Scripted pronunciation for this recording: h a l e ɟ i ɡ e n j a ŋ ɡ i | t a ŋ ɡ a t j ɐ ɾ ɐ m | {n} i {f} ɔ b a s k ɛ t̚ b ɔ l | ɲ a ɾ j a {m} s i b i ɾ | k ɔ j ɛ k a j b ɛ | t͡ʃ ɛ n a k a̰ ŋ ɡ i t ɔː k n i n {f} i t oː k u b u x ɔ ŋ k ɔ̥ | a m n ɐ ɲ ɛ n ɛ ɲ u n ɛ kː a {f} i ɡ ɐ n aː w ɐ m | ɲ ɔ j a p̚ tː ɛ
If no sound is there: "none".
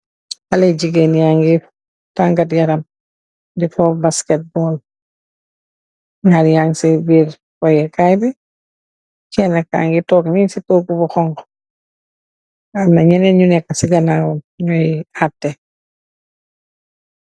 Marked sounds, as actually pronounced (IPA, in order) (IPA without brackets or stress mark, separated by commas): d, f, ŋ, s, s